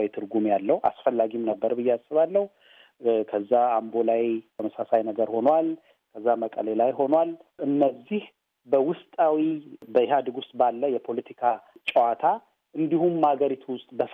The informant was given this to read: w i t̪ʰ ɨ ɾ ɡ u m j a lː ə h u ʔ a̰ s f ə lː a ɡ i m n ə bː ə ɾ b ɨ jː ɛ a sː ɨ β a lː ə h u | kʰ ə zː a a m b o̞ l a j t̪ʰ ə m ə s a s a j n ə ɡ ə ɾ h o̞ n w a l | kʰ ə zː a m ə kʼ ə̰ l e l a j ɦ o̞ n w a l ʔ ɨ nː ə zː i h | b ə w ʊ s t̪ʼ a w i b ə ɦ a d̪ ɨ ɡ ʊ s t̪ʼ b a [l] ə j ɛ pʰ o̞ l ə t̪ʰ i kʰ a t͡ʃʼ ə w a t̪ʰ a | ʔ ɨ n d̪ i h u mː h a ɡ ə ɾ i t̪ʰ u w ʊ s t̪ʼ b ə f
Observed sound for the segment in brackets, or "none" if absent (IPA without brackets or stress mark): lː